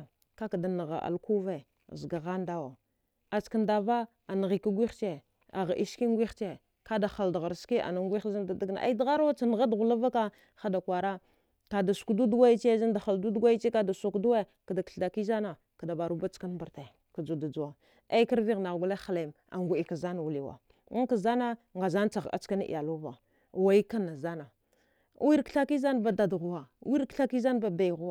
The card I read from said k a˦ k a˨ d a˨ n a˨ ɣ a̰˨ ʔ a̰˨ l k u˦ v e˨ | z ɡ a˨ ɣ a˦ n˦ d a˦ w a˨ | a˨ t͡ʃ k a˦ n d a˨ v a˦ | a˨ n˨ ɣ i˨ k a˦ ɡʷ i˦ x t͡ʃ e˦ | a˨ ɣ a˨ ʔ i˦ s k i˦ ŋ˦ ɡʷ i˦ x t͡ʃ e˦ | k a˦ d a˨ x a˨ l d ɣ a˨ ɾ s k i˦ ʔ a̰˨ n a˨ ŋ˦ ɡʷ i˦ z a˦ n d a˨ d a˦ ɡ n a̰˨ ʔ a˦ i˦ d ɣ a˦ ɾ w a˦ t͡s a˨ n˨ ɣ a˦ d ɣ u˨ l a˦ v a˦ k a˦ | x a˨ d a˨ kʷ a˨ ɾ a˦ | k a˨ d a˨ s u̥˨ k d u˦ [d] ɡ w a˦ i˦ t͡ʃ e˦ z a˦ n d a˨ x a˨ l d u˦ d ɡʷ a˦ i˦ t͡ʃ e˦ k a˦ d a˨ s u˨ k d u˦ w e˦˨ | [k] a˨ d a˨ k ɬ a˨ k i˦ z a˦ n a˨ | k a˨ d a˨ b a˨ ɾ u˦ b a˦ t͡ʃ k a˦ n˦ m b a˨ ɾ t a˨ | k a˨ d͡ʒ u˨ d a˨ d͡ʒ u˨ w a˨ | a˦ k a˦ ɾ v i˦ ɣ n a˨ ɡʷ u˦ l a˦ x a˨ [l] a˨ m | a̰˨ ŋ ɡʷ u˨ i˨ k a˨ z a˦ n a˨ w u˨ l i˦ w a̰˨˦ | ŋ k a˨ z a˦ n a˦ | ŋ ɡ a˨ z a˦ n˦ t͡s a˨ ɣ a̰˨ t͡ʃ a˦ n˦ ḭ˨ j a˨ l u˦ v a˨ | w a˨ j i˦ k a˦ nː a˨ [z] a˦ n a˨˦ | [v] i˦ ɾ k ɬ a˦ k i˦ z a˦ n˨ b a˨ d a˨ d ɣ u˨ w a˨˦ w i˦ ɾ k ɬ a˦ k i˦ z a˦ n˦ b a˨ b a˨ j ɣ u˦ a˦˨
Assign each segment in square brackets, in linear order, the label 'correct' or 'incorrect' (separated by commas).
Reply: correct, correct, correct, correct, incorrect